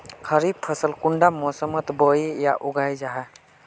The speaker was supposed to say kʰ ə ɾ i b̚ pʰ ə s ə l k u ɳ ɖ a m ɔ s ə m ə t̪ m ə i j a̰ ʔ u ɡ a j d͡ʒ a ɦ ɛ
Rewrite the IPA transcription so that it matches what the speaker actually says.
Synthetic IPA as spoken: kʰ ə ɾ i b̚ pʰ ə s ə l k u ɳ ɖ a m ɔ s ə m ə t̪ b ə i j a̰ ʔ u ɡ a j d͡ʒ a ɦ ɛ